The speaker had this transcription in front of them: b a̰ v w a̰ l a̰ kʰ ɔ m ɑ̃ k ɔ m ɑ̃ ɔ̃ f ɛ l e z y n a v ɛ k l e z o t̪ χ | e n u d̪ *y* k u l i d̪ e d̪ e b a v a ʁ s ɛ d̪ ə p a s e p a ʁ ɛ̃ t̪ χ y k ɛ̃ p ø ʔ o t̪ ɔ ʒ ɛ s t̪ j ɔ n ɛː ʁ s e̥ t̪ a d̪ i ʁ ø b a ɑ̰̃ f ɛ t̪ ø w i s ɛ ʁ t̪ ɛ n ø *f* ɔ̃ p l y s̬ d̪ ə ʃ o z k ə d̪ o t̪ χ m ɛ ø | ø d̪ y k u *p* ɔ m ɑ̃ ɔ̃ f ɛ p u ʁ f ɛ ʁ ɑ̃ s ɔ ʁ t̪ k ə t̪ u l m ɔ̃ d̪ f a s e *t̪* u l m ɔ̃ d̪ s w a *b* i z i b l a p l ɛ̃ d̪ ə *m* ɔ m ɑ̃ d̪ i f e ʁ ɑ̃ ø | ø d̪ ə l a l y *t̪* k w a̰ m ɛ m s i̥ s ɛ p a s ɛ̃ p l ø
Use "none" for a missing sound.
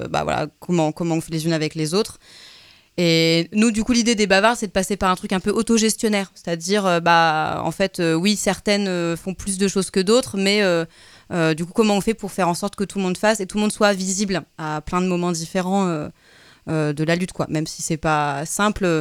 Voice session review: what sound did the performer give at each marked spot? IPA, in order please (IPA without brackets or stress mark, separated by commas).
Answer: y, f, k, t̪, v, m, t̪